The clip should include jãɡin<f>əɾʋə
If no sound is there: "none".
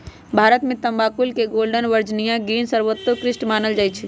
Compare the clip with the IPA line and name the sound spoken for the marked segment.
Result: s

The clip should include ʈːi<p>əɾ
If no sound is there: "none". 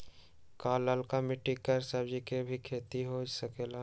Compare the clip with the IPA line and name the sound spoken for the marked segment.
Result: k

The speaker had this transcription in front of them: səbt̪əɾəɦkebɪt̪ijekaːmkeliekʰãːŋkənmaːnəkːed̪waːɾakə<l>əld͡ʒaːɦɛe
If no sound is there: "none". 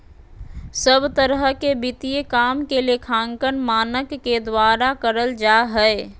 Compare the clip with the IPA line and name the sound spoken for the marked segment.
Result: ɾ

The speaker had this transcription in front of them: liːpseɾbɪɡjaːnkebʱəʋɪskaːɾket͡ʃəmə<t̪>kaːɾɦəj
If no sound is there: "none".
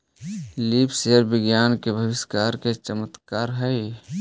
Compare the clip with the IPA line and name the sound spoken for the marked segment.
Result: t̪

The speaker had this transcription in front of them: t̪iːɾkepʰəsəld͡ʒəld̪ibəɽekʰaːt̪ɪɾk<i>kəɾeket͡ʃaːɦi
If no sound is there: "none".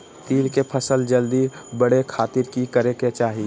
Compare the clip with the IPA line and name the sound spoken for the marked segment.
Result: i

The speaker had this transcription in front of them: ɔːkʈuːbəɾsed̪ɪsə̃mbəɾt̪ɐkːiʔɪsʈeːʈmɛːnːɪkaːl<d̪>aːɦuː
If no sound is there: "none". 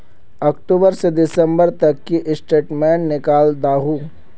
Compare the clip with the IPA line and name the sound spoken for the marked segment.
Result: d̪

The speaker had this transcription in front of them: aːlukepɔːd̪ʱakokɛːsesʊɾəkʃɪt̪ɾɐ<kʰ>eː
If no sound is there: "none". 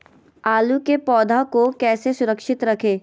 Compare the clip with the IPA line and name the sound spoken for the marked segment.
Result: kʰ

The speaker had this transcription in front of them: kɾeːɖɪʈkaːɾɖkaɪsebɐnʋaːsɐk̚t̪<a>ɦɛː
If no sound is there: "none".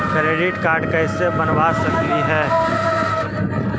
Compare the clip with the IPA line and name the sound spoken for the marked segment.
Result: i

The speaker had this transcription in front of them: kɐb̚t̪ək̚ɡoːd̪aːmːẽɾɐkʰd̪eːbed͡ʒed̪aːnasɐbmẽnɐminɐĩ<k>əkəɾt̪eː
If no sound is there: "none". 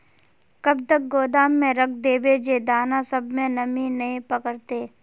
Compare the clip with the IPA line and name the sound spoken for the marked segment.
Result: p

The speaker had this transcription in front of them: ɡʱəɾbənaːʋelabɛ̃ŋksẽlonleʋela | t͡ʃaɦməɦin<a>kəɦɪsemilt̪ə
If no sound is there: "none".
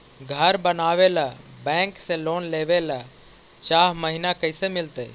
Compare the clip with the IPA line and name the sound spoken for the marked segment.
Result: a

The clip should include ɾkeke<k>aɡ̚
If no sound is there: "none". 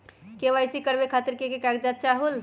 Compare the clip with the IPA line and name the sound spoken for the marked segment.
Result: k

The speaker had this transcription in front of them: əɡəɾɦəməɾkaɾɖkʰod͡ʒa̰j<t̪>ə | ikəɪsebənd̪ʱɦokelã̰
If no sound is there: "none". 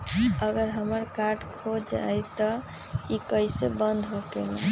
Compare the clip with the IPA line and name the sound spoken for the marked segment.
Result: t̪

